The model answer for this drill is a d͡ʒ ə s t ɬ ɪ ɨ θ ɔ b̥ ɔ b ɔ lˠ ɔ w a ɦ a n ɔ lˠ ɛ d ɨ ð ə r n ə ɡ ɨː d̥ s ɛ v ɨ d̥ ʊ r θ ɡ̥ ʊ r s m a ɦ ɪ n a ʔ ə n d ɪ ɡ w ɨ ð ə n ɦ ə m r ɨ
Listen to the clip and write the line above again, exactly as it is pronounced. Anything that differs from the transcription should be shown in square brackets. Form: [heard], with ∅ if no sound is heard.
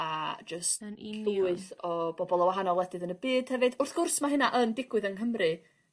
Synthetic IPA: a d͡ʒ ə s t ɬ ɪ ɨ θ ɔ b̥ ɔ b ɔ lˠ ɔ w a ɦ a n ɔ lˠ ɛ d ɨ ð ə [∅] n ə [b] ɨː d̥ [h] ɛ v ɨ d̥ ʊ r θ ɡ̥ ʊ r s m a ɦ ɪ n a ʔ ə n d ɪ ɡ w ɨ ð ə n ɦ ə m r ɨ